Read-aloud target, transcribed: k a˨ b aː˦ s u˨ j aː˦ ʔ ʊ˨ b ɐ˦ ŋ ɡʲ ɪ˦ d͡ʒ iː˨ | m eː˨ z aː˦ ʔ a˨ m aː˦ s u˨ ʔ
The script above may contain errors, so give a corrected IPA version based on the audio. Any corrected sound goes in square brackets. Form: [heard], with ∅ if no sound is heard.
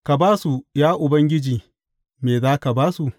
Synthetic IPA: k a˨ b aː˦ s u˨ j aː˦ ʔ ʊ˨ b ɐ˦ ŋ ɡʲ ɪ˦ d͡ʒ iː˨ | m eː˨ z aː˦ [k] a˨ [b] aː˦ s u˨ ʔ